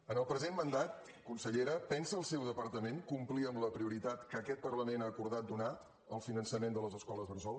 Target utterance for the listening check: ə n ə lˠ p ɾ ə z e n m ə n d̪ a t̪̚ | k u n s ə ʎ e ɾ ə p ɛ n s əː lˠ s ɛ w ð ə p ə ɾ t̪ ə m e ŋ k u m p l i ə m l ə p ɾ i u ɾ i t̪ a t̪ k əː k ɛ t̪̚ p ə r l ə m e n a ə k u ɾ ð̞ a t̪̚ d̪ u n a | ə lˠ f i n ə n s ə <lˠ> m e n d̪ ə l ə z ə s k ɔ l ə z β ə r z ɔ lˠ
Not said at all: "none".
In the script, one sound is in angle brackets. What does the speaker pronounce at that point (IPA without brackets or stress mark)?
none